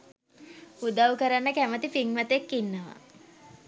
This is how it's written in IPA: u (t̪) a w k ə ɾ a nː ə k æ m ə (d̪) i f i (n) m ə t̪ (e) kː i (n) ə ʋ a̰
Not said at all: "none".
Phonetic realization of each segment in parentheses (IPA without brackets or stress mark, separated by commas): d̪, t̪, ŋ, e, nː